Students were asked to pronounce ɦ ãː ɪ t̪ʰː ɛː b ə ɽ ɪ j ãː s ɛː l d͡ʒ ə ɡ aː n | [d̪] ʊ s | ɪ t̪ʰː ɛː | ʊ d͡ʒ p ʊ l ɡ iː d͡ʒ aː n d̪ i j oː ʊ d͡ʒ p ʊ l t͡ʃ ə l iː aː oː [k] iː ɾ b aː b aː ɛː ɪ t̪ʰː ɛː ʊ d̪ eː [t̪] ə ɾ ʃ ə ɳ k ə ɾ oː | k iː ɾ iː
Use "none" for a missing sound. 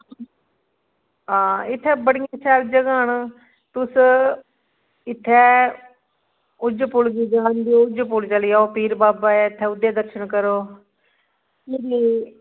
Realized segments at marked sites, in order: t̪, p, d̪

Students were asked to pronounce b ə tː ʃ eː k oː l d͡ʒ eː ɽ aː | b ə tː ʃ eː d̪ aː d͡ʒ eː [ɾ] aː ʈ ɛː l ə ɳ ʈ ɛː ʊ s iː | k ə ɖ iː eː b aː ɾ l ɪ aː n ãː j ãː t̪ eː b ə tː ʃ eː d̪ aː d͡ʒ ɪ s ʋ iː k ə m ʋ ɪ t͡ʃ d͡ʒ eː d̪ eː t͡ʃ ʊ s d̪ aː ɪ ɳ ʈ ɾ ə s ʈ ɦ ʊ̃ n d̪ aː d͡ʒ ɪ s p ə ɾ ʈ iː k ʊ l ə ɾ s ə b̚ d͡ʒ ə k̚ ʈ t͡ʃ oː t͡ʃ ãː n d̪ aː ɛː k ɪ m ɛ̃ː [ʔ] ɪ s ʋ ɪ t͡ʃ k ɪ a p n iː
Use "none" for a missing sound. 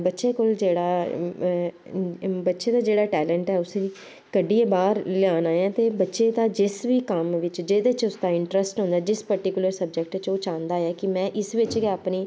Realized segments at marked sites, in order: ɽ, ʔ

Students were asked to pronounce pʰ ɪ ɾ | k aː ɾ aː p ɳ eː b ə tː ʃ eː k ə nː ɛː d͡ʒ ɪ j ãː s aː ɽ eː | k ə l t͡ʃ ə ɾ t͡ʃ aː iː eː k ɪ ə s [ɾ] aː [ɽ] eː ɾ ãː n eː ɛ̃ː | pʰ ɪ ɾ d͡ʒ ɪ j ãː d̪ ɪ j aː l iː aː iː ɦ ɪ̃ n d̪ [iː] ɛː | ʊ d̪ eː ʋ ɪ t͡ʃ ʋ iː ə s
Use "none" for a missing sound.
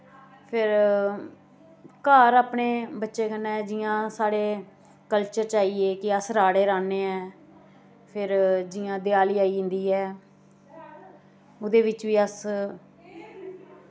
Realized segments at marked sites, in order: ɾ, ɽ, iː

